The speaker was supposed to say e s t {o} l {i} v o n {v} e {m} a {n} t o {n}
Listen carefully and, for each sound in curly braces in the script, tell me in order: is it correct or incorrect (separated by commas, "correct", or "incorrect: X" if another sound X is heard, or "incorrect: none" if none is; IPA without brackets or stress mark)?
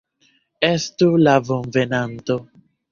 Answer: incorrect: u, incorrect: a, correct, incorrect: n, correct, incorrect: none